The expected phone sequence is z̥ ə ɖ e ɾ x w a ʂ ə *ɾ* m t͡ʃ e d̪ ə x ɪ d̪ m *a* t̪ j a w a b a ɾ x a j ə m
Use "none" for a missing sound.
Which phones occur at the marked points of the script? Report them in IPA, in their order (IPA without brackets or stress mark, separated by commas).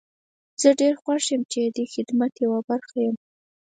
none, a